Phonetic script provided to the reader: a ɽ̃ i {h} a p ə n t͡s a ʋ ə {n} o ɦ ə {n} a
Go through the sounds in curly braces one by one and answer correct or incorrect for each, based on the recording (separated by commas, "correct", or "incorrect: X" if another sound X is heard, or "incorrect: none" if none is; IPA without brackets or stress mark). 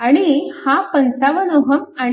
correct, correct, incorrect: m